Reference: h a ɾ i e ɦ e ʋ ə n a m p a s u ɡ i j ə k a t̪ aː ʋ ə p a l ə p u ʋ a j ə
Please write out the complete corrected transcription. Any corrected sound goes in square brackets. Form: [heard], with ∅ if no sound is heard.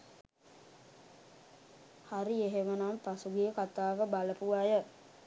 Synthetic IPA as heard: h a ɾ i e ɦ e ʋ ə n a m p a s u ɡ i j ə k a t̪ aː ʋ ə [b] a l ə p u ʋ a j ə

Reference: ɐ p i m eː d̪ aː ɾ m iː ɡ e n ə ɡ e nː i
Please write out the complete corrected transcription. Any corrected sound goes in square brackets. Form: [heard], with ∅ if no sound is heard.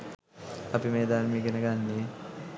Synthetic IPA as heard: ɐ p i m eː d̪ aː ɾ m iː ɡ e n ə ɡ [a] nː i

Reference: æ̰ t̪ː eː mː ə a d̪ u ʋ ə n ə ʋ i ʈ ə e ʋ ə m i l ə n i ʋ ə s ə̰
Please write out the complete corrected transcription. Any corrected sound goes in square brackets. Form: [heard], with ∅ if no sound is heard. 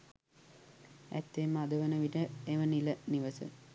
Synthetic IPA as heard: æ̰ t̪ː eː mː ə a d̪ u ʋ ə n ə ʋ i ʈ ə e ʋ ə [n] i l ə n i ʋ ə s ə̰

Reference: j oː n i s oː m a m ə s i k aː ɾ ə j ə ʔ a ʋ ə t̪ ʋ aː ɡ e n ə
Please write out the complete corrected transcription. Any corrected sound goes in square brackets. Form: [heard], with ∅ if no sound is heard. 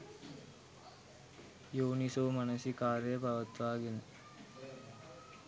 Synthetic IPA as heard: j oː n i s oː m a [n] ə s i k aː ɾ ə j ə [p] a ʋ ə t̪ ʋ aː ɡ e n ə

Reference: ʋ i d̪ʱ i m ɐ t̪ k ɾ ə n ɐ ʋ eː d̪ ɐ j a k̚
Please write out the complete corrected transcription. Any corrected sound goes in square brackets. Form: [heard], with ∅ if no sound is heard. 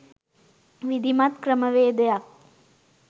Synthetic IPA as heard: ʋ i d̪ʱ i m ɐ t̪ k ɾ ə [m] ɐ ʋ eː d̪ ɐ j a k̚

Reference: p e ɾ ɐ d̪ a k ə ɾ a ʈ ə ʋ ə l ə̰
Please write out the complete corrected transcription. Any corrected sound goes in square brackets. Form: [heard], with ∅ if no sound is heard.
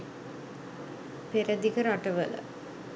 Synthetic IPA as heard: p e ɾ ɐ d̪ [i] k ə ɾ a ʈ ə ʋ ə l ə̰

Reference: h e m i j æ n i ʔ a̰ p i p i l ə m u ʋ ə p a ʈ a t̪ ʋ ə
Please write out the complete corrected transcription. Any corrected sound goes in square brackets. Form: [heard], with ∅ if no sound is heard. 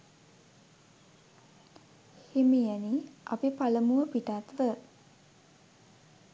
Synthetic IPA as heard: h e m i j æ n i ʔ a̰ p i p [a] l ə m u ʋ ə p [i] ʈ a t̪ ʋ ə

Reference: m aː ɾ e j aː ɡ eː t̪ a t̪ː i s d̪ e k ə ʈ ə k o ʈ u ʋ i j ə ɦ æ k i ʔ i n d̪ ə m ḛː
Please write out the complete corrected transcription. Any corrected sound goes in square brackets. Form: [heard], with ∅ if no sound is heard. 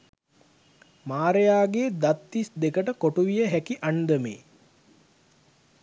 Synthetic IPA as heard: m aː ɾ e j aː ɡ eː [d̪] a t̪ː i s d̪ e k ə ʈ ə k o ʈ u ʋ i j ə ɦ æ k i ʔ [a] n d̪ ə m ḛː

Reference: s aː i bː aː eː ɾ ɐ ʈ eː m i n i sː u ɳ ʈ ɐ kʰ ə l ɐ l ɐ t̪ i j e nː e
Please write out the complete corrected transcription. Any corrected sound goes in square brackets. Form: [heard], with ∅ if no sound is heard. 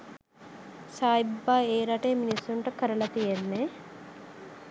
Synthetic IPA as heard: s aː i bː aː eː ɾ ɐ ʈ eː m i n i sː u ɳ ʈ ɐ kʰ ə [ɾ] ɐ l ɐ t̪ i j e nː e

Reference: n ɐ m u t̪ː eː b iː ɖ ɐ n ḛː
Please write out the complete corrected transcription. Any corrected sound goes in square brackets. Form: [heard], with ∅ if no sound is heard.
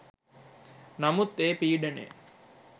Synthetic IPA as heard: n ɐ m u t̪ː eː [p] iː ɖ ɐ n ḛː

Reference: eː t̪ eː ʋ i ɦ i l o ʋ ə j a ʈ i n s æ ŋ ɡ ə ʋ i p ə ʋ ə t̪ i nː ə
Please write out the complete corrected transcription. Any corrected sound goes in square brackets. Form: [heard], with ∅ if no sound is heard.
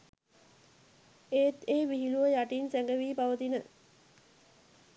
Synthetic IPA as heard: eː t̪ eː ʋ i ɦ i l [u] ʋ ə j a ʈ i n s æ ŋ ɡ ə ʋ [iː] p [a] ʋ ə t̪ i [n] ə

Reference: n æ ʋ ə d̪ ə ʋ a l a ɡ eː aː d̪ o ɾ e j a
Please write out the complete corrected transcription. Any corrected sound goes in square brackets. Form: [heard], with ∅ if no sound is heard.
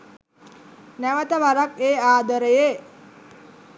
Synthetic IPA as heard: n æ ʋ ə [t̪] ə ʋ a [ɾ] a [k] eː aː d̪ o ɾ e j [e]

